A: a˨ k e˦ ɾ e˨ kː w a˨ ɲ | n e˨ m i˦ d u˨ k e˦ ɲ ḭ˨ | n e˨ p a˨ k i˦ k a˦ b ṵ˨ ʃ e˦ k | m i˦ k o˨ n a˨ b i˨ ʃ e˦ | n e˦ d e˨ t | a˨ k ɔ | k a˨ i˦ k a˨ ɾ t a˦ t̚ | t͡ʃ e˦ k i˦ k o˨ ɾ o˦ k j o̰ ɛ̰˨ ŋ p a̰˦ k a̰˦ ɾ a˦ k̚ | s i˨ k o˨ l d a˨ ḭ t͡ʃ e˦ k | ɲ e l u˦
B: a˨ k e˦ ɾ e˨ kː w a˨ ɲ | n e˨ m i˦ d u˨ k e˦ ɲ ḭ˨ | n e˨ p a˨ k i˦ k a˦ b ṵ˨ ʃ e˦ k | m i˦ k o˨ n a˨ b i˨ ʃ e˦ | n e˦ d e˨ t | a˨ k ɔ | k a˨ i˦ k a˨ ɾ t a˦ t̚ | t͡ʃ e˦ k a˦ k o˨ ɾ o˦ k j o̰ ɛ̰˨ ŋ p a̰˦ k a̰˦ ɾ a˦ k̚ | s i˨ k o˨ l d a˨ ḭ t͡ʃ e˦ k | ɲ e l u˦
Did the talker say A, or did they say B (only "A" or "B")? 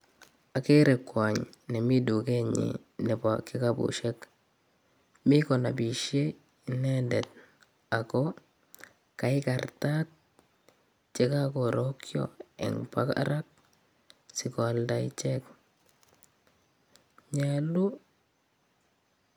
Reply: B